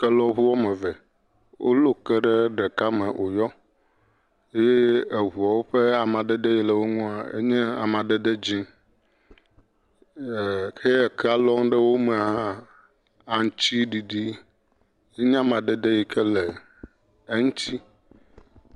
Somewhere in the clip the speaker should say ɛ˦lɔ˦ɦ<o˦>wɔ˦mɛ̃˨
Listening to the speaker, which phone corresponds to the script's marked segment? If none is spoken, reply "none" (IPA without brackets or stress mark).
u˦